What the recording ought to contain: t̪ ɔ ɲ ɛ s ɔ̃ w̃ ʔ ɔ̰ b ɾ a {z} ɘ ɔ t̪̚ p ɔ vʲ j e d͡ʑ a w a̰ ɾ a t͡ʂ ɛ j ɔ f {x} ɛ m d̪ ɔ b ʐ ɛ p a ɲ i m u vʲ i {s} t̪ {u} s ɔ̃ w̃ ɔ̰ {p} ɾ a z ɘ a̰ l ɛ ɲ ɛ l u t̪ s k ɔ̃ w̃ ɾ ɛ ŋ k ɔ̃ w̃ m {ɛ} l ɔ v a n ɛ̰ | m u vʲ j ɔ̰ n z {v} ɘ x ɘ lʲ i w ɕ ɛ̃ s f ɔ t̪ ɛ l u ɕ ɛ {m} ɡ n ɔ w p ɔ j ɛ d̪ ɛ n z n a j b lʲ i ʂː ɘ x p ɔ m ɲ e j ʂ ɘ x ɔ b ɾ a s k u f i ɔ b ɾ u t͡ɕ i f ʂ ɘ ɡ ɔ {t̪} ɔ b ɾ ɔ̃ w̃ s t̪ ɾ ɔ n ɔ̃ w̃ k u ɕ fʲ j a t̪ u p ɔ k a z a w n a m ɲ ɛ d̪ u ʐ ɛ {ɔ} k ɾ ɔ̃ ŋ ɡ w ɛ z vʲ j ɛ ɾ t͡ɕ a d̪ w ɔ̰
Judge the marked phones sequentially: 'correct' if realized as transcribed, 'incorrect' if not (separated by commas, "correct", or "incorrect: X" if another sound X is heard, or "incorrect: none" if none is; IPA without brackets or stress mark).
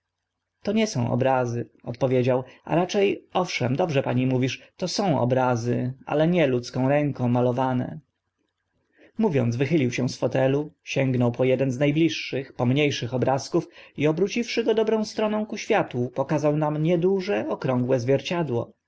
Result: correct, incorrect: ʂ, incorrect: ʂ, incorrect: ɔ, incorrect: b, incorrect: a, correct, incorrect: ŋ, incorrect: d̪, correct